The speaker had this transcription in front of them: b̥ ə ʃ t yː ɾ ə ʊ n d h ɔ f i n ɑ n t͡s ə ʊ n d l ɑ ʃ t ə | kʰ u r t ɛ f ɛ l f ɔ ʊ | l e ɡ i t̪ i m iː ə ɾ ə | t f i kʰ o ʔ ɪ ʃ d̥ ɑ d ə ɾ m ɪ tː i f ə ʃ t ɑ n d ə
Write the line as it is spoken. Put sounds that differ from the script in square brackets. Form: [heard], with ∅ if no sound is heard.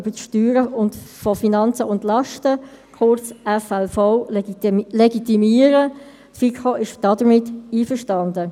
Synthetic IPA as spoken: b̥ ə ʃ t yː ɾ ə ʊ n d [f] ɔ f i n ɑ n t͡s ə ʊ n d l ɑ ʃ t ə | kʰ [ʊ] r [t͡s] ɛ f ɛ l f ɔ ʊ | l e ɡ i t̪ i m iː ə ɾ ə | t f i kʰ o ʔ ɪ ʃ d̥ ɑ d ə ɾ m ɪ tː [iː] f ə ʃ t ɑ n d ə